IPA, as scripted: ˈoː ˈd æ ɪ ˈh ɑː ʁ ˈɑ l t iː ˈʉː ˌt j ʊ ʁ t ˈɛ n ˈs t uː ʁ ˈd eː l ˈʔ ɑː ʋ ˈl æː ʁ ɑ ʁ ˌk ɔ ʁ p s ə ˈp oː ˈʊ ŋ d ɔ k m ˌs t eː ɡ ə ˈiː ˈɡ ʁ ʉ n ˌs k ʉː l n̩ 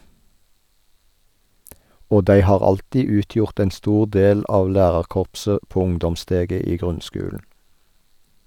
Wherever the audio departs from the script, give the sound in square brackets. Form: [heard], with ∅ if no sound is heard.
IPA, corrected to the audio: ˈoː ˈd æ ɪ ˈh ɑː ʁ ˈɑ l t iː ˈʉː ˌt j ʊ ʁ t ˈɛ n ˈs t uː ʁ ˈd eː l ˈʔ ɑː ʋ ˈl æː ʁ ɑ ʁ ˌk ɔ ʁ p s ə ˈp oː ˈʊ ŋ d ɔ [∅] m ˌs t eː ɡ ə ˈiː ˈɡ ʁ ʉ n ˌs k ʉː l n̩

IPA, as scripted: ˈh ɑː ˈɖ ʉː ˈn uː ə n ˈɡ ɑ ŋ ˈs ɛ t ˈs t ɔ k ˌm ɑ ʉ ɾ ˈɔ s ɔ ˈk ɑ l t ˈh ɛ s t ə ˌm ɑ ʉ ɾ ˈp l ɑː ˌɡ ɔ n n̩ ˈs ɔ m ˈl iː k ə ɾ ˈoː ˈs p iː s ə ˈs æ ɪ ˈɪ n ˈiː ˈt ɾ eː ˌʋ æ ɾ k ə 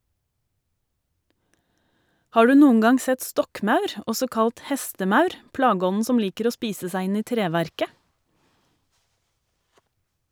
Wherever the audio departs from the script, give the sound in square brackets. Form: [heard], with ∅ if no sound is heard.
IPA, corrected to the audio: ˈh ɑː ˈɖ ʉː ˈn uː ə [ŋ] ˈɡ ɑ ŋ ˈs ɛ t ˈs t ɔ k ˌm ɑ ʉ ɾ ˈɔ s ɔ ˈk ɑ l t ˈh ɛ s t ə ˌm ɑ ʉ ɾ ˈp l ɑː ˌɡ ɔ n n̩ ˈs ɔ m ˈl iː k ə ɾ ˈoː ˈs p iː s ə ˈs æ ɪ ˈɪ n ˈiː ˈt ɾ eː ˌʋ æ ɾ k ə

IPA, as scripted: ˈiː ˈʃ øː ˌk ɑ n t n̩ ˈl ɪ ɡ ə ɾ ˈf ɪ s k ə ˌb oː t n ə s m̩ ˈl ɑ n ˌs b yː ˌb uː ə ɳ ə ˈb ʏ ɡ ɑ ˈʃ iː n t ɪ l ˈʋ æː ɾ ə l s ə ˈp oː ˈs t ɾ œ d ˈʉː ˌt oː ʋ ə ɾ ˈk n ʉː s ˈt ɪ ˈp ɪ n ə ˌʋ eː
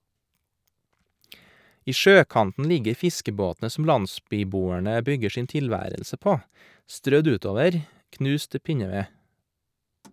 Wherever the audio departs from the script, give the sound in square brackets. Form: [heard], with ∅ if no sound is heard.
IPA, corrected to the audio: ˈiː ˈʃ øː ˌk ɑ n t n̩ ˈl ɪ ɡ ə ɾ ˈf ɪ s k ə ˌb oː t n ə s m̩ ˈl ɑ n ˌs b yː ˌb uː ə ɳ ə ˈb ʏ ɡ [ə] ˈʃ iː n t ɪ l ˈʋ æː ɾ ə l s ə ˈp oː ˈs t ɾ œ d ˈʉː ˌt oː ʋ ə ɾ ˈk n ʉː s ˈt ɪ ˈp ɪ [ɲ] ə ˌʋ eː

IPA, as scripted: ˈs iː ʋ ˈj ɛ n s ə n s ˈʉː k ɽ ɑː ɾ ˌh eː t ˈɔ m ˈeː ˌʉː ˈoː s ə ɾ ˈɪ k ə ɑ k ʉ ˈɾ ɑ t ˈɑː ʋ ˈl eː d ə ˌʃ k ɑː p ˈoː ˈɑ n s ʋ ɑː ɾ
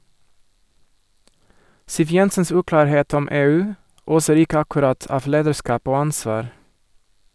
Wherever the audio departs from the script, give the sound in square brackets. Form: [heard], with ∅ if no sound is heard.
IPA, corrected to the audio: ˈs iː ʋ ˈj ɛ n s ə n s ˈʉː k [l] ɑː ɾ ˌh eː t ˈɔ m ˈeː ˌʉː ˈoː s ə ɾ ˈɪ k ə ɑ k ʉ ˈɾ ɑ t ˈɑː ʋ ˈl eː d ə ˌʃ k ɑː p ˈoː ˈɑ n s ʋ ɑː ɾ

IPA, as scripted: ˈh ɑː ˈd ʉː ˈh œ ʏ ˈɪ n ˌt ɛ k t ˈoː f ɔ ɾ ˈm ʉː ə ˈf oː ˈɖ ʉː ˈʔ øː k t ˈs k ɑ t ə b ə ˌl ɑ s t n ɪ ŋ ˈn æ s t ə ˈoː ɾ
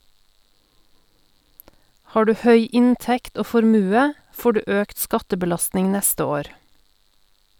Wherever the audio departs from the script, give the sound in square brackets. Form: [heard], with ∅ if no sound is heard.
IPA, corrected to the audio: ˈh ɑː ˈd ʉː ˈh œ ʏ ˈɪ n ˌt ɛ k t ˈoː f ɔ ɾ ˈm ʉː ə ˈf oː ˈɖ ʉː ˈʔ øː k t ˈs k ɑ t ə b ə ˌl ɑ s t n ɪ ŋ ˈn [ɛ] s t ə ˈoː ɾ

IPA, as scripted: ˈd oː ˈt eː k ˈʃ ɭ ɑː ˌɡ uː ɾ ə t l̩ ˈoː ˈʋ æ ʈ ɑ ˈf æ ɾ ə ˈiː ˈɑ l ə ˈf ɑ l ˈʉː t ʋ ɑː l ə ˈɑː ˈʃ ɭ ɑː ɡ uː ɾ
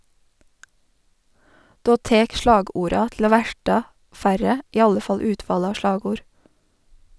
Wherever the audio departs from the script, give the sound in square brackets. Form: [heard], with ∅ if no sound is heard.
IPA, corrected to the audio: ˈd oː ˈt eː k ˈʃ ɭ ɑː ˌɡ uː ɾ [ɑ] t l̩ ˈoː ˈʋ æ ʈ ɑ ˈf æ ɾ ə ˈiː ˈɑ l ə ˈf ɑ l ˈʉː t ʋ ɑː l ə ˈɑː ˈʃ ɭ ɑː ɡ uː ɾ

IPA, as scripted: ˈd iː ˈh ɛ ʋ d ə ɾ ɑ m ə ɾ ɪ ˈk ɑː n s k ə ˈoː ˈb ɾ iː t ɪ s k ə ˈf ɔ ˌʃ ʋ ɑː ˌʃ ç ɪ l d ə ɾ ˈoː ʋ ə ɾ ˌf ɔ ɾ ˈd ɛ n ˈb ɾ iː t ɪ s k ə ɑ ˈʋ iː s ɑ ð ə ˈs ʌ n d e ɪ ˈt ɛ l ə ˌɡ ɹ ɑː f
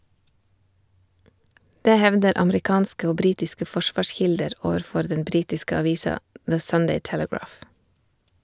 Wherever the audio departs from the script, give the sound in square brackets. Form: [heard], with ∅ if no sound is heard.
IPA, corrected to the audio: ˈd [eː] ˈh ɛ ʋ d ə ɾ ɑ m ə ɾ ɪ ˈk ɑː n s k ə ˈoː ˈb ɾ iː t ɪ s k ə ˈf ɔ ˌʃ ʋ ɑː ˌʃ ç ɪ l d ə ɾ ˈoː ʋ ə ɾ ˌf ɔ ɾ ˈd ɛ n ˈb ɾ iː t ɪ s k ə ɑ ˈʋ iː s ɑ ð ə ˈs ʌ n d e ɪ ˈt ɛ l ə ˌɡ ɹ ɑː f

